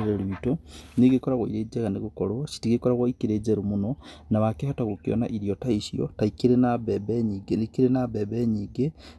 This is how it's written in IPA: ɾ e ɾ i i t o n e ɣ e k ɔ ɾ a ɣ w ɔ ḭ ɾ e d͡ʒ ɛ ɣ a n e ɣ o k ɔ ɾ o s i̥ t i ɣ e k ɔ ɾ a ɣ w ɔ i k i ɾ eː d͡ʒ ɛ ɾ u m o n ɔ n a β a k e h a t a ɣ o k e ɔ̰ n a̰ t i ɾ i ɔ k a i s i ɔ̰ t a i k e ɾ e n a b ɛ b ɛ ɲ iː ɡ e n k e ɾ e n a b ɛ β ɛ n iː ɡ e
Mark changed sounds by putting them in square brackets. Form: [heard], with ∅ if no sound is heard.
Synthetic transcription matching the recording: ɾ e ɾ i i t o n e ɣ e k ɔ ɾ a ɣ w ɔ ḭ ɾ e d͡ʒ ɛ ɣ a n e ɣ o k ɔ ɾ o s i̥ t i ɣ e k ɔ ɾ a ɣ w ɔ i k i ɾ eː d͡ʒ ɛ ɾ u m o n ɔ n a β a k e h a t a ɣ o k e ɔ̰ n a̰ [ʔ] i ɾ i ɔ [t] a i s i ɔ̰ t a i k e ɾ e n a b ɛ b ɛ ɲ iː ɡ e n k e ɾ e n a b ɛ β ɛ [ɲ] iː ɡ e